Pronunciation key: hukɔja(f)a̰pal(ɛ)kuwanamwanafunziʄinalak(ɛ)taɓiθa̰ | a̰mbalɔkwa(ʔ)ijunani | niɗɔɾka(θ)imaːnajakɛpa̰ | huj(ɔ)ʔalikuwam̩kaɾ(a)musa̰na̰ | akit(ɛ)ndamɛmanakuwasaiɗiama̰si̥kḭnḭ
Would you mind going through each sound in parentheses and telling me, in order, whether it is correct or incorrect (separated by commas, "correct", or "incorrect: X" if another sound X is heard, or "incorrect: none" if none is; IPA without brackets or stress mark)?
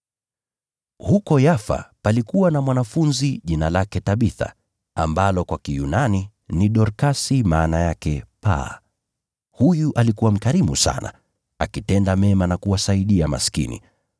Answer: correct, incorrect: i, correct, incorrect: k, incorrect: s, incorrect: u, incorrect: i, correct